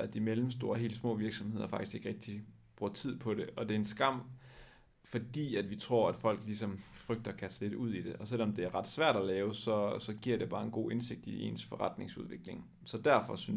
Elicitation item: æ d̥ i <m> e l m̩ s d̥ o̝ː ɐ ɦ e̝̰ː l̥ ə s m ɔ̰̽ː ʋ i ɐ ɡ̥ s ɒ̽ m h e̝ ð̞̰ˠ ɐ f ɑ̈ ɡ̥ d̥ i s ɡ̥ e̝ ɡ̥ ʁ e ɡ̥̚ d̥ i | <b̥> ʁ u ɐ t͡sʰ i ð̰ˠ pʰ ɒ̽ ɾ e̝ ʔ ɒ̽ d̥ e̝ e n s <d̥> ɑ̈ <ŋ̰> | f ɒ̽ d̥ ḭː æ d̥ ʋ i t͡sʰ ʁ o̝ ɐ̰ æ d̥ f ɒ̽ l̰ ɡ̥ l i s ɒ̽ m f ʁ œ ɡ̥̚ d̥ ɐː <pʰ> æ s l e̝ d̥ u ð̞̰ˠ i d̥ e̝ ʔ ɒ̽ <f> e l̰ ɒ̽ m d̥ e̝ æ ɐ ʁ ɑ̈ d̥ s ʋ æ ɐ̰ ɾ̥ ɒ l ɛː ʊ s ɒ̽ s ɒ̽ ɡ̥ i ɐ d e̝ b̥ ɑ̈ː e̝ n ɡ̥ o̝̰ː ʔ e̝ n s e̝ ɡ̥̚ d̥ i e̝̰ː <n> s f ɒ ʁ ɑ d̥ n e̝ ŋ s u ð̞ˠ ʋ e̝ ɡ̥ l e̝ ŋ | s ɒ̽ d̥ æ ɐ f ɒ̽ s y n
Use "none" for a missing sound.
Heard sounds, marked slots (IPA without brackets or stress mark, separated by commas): m, b̥, ɡ̥, m̰, kʰ, s, n